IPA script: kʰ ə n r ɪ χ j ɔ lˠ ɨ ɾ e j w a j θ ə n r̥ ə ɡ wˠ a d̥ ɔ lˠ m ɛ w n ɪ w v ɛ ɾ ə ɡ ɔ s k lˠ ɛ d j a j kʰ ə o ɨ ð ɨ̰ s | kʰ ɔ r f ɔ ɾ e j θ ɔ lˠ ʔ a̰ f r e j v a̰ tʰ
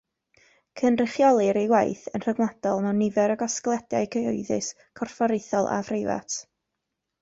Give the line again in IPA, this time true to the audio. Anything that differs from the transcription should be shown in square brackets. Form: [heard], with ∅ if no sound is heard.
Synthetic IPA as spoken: kʰ ə n r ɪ χ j ɔ lˠ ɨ ɾ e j w a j θ ə n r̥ ə ɡ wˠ a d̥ ɔ lˠ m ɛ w n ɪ [∅] v ɛ ɾ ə ɡ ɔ s k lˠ ɛ d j a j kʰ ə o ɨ ð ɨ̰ s | kʰ ɔ r f ɔ ɾ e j θ ɔ lˠ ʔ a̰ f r e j v a̰ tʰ